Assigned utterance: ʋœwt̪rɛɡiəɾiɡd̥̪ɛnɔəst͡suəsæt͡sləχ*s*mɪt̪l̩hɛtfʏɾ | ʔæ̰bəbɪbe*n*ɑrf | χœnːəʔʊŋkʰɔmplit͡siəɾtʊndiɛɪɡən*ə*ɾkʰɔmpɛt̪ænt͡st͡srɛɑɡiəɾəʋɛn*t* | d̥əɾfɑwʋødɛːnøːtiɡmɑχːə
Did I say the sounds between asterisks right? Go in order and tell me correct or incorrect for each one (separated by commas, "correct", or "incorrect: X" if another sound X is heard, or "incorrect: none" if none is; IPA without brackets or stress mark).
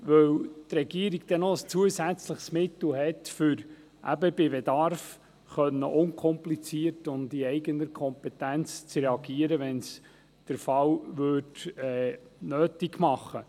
correct, incorrect: d, correct, incorrect: s